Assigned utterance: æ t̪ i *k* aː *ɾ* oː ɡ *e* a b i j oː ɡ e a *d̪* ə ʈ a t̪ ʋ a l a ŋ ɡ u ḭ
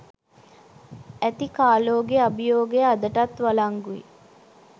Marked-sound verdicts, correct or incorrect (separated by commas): correct, incorrect, correct, correct